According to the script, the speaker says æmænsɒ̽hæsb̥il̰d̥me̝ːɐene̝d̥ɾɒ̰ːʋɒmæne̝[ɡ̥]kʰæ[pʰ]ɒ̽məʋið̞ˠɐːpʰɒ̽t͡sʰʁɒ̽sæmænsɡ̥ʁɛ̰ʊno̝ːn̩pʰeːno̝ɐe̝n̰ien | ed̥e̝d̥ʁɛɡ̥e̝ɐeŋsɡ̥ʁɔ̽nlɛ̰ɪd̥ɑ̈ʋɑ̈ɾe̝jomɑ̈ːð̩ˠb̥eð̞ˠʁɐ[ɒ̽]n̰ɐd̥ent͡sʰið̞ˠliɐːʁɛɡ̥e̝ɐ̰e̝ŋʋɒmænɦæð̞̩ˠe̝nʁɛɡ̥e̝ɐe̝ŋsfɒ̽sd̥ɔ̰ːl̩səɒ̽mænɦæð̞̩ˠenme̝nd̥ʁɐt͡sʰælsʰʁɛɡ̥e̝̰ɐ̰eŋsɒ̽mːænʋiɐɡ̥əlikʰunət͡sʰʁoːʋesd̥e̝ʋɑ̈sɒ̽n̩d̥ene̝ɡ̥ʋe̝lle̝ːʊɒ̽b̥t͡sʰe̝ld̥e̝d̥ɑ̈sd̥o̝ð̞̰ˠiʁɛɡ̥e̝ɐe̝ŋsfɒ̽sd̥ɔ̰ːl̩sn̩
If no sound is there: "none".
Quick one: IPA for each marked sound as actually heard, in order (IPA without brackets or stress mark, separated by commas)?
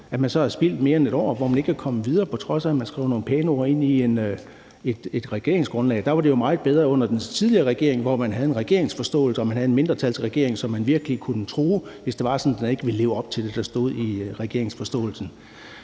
ɡ̥, kʰ, ɔ̽